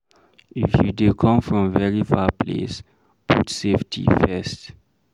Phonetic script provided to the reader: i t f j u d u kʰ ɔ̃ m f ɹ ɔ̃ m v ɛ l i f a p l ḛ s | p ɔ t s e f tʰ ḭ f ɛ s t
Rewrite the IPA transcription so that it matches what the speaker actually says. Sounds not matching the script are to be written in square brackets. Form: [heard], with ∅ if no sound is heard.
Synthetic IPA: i [∅] f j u d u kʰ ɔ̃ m f ɹ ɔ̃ m v ɛ [ɹ] i f a p l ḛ s | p [u] t s e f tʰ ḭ f ɛ s t